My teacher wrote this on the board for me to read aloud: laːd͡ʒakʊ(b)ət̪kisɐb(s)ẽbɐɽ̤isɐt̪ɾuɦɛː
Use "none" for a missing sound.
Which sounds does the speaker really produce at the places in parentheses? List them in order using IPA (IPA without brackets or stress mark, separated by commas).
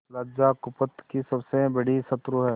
p, s